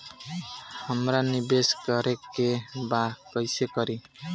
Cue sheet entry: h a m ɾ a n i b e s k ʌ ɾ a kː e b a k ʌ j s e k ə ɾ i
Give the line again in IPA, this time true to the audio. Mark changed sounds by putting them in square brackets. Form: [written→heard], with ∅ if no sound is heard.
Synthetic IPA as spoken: h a m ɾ a n i b e s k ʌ ɾ [a→e] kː e b a k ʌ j s e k [ə→ʌ] ɾ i